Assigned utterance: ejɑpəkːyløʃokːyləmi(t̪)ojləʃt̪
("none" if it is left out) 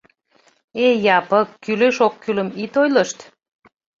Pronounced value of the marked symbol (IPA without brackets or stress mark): t̪